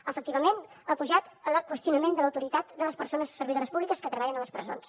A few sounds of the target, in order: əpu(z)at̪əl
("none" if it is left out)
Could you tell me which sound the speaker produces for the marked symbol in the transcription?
ʒ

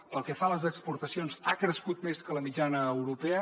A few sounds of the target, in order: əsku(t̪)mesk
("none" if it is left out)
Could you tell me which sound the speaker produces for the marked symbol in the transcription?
t̪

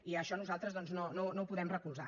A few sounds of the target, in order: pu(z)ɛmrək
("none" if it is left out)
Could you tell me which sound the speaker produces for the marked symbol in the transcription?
ð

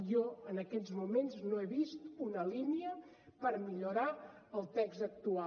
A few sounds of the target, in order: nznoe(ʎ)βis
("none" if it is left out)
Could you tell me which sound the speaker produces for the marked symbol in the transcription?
none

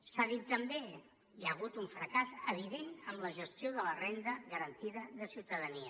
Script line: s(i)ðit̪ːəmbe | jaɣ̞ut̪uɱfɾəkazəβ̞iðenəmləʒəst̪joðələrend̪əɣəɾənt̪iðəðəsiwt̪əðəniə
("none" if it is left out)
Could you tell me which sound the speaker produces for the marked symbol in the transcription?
a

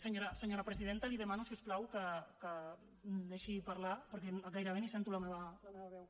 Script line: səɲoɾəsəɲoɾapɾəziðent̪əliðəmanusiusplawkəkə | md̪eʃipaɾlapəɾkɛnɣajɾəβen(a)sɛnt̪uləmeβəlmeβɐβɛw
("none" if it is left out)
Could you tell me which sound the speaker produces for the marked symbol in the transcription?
i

